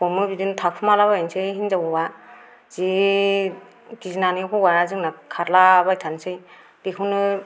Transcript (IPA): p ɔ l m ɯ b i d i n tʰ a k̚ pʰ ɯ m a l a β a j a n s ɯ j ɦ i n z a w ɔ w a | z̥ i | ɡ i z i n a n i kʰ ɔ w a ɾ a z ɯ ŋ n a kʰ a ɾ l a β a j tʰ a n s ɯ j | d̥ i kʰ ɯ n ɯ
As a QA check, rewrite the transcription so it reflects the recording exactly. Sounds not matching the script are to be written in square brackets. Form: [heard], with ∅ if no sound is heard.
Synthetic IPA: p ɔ [∅] m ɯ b i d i n tʰ a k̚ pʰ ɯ m a l a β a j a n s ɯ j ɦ i n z a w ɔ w a | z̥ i | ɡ i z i n a n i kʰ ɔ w a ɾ a z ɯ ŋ n a kʰ a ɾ l a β a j tʰ a n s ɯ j | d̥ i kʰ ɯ n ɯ